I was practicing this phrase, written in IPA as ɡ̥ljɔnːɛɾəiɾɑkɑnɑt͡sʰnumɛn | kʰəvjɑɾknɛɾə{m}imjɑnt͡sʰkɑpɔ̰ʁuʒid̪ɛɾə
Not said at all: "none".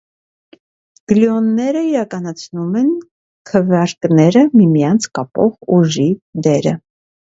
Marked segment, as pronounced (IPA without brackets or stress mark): m